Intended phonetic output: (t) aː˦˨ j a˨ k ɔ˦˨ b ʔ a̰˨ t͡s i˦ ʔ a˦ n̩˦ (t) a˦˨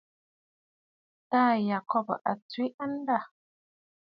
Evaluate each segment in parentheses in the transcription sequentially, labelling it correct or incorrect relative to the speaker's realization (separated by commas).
correct, incorrect